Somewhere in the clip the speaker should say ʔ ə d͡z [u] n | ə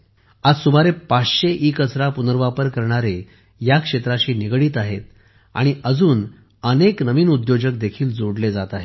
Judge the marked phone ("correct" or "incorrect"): incorrect